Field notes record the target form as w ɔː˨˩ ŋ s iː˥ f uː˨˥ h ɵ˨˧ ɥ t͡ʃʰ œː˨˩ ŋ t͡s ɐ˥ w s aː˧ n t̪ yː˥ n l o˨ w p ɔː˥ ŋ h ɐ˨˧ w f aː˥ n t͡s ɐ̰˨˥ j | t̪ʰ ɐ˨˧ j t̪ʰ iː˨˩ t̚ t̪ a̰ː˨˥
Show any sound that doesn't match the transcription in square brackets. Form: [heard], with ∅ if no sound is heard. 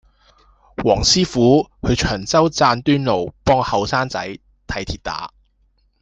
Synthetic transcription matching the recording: w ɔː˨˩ ŋ s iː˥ f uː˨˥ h ɵ˨˧ ɥ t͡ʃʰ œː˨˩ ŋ t͡s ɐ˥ w [t͡s] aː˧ n t̪ yː˥ n l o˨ w p ɔː˥ ŋ h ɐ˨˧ w [s] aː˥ n t͡s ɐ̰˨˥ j | t̪ʰ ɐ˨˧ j t̪ʰ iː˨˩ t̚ t̪ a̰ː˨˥